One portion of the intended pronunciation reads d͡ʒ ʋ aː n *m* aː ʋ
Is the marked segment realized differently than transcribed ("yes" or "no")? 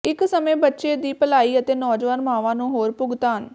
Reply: no